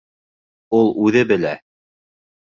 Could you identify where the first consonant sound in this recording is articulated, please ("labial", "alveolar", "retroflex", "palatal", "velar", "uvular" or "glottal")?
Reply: alveolar